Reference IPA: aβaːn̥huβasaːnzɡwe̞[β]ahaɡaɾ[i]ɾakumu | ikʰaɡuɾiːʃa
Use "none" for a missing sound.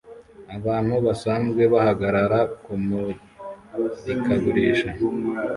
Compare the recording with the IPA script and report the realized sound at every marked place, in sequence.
β, a

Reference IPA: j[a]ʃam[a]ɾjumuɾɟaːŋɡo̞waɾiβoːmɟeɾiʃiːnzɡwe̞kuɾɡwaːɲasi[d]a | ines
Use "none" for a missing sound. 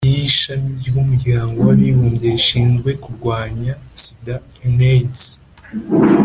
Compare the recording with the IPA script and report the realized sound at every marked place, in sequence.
i, i, d

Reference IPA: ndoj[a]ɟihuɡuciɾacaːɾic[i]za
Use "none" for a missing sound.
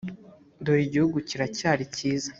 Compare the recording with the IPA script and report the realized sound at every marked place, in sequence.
i, iː

